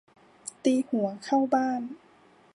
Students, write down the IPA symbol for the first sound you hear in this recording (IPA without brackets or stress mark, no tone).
t̪